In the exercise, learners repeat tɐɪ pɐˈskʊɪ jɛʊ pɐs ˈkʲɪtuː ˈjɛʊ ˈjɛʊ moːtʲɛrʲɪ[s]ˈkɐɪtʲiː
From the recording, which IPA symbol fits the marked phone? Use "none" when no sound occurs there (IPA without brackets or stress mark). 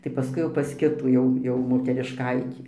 ʃ